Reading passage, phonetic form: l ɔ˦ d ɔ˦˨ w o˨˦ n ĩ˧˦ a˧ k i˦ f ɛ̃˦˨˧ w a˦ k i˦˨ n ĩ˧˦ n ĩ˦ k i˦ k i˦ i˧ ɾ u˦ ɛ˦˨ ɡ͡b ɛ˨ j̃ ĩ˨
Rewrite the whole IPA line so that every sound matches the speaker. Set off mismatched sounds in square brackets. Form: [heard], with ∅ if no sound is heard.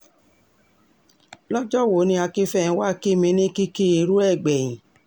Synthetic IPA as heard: l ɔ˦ [d͡ʒ] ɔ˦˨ w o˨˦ n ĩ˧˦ a˧ k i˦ f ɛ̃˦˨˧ w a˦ k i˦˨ [m] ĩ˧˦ n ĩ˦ k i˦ k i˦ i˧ ɾ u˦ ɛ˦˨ ɡ͡b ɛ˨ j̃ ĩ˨